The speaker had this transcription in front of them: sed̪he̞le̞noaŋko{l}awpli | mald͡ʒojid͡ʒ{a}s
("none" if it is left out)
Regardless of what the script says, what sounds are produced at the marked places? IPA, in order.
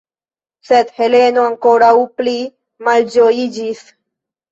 ɾ, i

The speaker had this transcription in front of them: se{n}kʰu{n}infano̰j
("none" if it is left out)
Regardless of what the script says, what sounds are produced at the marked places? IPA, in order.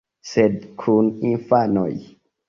d, n

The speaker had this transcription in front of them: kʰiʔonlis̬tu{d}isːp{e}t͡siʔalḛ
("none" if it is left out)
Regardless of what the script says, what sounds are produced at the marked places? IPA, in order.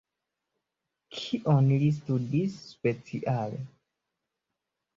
d, e

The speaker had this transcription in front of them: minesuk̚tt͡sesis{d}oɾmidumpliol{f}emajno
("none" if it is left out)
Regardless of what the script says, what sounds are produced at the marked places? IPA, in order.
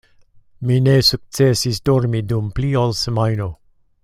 d, s

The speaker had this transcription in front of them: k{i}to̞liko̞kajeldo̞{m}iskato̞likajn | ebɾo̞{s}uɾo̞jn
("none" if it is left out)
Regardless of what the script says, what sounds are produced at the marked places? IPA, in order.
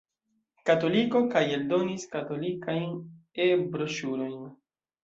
a, n, ʃ

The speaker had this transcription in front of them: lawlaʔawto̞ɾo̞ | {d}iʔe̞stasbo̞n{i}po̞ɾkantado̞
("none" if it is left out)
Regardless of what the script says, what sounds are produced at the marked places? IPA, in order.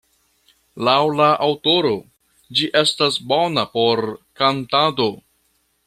d͡ʒ, a

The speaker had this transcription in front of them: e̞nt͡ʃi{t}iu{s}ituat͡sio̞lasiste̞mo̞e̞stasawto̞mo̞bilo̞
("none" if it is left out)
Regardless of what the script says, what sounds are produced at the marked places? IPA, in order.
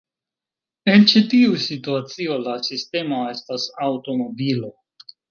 t, s

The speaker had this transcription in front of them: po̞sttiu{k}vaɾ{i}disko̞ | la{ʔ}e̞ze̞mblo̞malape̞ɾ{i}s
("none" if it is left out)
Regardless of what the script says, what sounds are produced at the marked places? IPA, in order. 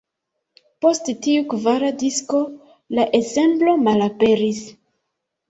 k, a, ʔ, i

